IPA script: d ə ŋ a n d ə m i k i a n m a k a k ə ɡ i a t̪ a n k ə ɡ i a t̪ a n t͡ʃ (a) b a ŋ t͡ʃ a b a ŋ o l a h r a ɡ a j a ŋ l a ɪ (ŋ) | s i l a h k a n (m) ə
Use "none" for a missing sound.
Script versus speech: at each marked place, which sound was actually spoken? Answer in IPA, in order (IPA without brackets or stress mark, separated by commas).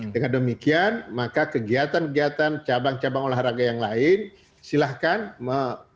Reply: a, n, m